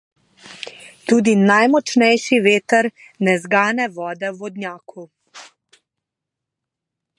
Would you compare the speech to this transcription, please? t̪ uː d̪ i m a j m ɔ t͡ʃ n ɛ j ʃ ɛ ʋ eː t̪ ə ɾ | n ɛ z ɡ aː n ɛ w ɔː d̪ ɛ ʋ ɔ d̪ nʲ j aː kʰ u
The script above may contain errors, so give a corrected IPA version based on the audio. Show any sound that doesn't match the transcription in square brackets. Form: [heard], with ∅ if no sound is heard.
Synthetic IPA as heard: t̪ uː d̪ i [n] a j m ɔ t͡ʃ n ɛ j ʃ [i] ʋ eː t̪ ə ɾ | n ɛ z ɡ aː n ɛ [ʋ] ɔː d̪ ɛ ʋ ɔ d̪ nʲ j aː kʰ u